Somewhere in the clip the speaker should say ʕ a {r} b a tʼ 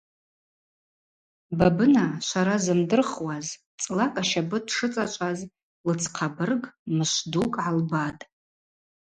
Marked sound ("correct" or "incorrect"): incorrect